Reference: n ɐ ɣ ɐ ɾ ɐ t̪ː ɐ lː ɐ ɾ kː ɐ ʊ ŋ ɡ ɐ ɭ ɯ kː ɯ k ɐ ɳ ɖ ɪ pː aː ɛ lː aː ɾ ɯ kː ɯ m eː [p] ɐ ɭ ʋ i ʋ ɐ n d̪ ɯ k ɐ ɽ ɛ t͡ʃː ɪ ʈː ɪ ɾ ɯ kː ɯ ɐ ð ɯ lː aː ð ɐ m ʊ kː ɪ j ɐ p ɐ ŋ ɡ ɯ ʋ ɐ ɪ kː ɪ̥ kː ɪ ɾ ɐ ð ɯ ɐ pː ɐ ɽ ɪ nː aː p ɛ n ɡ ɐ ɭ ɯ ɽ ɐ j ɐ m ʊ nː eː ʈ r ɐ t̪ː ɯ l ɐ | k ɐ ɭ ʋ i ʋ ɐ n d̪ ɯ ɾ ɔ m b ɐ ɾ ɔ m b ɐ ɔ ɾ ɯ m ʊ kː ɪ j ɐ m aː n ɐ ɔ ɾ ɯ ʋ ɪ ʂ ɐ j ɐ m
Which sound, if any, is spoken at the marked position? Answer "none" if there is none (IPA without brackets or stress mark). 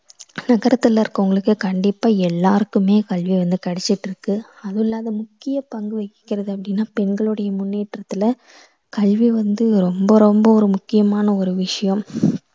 k